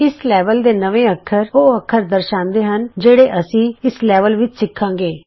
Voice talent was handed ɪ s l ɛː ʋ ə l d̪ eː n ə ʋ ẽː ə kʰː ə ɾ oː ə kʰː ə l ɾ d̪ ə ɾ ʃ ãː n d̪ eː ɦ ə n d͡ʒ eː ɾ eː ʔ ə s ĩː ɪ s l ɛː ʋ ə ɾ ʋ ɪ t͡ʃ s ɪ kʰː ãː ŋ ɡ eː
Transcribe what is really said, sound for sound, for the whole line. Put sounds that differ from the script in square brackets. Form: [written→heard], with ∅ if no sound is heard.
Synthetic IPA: ɪ s l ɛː ʋ ə l d̪ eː n ə ʋ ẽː ə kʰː ə ɾ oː ə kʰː ə [l→∅] ɾ d̪ ə ɾ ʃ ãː n d̪ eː ɦ ə n d͡ʒ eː [ɾ→ɽ] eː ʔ ə s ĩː ɪ s l ɛː ʋ ə [ɾ→l] ʋ ɪ t͡ʃ s ɪ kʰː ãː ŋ ɡ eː